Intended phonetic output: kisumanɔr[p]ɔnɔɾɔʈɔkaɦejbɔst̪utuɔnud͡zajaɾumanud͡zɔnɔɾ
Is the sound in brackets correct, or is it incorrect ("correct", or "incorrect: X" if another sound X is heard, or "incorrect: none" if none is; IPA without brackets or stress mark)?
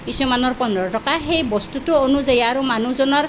correct